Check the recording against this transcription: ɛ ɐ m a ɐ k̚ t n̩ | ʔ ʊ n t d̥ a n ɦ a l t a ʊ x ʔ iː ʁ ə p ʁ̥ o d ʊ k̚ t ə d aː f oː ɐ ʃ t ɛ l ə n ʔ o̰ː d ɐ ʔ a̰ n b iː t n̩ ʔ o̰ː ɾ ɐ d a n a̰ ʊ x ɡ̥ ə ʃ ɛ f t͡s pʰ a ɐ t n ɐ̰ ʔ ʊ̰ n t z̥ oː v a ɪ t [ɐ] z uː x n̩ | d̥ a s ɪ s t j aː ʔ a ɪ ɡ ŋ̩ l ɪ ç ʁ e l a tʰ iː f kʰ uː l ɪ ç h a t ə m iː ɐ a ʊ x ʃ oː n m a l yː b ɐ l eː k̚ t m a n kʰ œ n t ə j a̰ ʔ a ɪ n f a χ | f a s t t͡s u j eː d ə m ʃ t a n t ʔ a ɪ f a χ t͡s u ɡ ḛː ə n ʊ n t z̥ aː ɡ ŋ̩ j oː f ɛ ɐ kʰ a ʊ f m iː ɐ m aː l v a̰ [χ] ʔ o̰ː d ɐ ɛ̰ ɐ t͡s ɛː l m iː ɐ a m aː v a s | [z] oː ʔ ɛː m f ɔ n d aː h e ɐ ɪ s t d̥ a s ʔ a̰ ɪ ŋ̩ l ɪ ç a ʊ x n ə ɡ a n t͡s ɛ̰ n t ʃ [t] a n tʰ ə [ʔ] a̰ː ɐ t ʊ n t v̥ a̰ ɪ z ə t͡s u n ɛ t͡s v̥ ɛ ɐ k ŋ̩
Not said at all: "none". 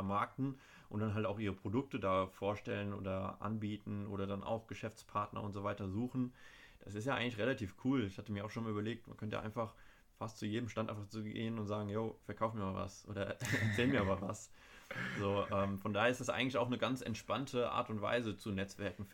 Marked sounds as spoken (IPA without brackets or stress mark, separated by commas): ɐ, s, z, p, ʔ